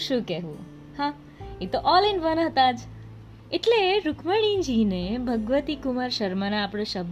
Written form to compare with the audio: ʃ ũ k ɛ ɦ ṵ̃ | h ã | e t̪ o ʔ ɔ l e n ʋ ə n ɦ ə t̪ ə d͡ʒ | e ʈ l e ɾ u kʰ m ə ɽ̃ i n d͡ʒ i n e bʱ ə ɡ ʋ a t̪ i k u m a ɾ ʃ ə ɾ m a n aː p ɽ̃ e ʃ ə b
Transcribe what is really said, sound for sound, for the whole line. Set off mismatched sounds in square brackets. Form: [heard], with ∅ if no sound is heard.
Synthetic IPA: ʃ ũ k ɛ ɦ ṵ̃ | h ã | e t̪ o ʔ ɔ l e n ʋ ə n ɦ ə t̪ [a] d͡ʒ | e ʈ l e ɾ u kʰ m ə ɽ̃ i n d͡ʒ i n e bʱ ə ɡ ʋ [ə] t̪ i k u m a ɾ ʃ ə ɾ m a n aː p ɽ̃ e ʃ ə b